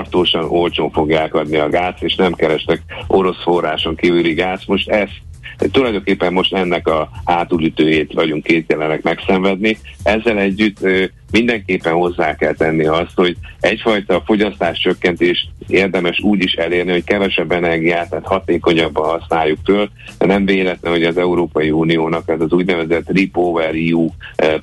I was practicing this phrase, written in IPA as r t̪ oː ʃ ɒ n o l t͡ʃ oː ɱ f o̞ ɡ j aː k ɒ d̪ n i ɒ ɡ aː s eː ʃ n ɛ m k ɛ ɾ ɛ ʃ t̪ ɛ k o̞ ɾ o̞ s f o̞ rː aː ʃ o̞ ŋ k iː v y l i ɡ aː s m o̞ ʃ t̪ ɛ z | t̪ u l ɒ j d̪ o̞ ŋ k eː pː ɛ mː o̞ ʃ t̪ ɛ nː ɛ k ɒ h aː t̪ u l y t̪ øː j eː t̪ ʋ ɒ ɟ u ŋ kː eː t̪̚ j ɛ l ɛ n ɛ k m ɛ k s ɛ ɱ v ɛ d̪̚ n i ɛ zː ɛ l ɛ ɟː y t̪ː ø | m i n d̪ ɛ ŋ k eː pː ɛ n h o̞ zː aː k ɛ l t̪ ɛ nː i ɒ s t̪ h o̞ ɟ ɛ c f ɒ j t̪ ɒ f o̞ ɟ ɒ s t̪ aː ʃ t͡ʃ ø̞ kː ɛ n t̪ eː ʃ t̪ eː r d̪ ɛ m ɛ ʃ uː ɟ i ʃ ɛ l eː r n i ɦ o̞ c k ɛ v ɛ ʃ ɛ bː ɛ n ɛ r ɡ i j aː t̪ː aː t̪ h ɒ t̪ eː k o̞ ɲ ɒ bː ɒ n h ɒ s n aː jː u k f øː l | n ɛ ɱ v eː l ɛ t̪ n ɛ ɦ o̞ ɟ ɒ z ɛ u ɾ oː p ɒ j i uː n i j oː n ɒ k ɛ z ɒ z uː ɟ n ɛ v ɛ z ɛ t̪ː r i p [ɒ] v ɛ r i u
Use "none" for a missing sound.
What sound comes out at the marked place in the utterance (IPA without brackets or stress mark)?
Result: o